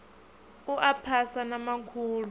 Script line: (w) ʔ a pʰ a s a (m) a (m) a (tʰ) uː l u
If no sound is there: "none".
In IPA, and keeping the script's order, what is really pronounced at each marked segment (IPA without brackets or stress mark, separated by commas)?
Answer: u, n, m, kʰ